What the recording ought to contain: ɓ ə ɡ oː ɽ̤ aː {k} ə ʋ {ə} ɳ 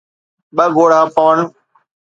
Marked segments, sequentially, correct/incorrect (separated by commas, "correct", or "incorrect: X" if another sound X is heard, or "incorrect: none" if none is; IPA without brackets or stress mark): incorrect: p, correct